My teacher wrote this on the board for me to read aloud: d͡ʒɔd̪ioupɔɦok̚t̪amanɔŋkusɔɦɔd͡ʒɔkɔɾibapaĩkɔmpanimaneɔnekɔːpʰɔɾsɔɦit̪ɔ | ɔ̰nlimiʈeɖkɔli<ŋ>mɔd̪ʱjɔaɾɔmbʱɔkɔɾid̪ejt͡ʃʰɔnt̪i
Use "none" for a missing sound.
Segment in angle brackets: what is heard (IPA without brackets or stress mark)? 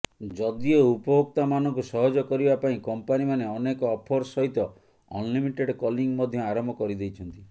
ŋ